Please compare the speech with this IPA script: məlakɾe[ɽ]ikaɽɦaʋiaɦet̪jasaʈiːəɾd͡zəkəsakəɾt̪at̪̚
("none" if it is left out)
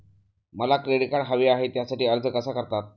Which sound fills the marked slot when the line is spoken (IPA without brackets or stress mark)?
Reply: ɽ